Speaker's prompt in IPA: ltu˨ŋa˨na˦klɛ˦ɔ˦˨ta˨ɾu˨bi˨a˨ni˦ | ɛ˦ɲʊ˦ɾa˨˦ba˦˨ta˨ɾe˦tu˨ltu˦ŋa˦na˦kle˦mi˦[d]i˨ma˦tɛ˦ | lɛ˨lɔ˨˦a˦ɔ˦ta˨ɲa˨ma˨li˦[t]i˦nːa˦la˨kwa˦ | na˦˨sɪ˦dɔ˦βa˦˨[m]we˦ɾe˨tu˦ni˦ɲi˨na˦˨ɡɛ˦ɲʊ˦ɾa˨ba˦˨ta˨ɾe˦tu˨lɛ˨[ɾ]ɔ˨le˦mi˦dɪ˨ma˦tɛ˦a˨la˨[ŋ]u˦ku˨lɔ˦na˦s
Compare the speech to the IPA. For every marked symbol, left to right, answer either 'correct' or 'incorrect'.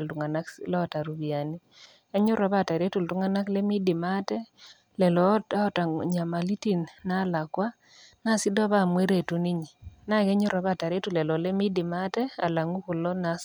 correct, correct, correct, incorrect, correct

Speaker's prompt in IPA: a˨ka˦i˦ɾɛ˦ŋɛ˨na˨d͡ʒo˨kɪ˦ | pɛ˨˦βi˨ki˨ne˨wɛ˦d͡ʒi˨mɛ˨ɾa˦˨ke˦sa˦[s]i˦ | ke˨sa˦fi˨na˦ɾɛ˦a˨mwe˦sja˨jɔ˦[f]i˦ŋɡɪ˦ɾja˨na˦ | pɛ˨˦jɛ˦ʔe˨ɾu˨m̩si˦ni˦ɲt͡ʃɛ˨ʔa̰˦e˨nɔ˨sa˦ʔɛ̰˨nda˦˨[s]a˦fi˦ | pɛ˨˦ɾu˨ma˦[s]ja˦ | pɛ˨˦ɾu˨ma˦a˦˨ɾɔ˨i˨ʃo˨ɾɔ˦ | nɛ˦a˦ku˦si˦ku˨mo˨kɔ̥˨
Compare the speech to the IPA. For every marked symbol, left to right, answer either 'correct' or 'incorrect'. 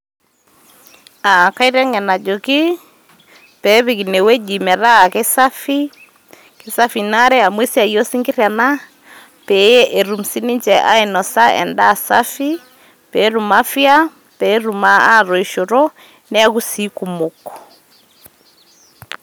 incorrect, incorrect, correct, incorrect

